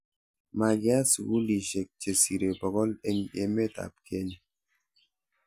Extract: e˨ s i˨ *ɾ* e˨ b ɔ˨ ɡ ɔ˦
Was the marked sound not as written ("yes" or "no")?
no